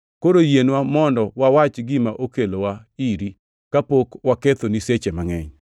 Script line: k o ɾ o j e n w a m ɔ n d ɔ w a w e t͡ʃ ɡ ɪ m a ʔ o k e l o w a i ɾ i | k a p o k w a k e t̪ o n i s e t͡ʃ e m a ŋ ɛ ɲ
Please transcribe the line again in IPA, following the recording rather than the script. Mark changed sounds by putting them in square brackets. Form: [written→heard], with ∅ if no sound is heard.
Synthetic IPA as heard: k o ɾ o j e n w a m ɔ n d ɔ w a w [e→a] t͡ʃ ɡ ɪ m a ʔ o k e l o w a i ɾ i | k a p o k w a k e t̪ o n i s e t͡ʃ e m a ŋ ɛ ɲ